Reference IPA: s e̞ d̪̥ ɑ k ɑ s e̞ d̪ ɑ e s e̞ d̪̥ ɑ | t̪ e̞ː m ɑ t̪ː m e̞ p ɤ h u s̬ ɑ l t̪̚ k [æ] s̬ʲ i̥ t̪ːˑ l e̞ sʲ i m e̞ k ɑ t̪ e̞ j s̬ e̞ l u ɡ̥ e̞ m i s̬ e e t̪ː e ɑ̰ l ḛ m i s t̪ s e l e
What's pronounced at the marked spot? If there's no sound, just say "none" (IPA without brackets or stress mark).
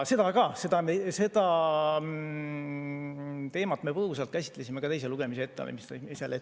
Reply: æ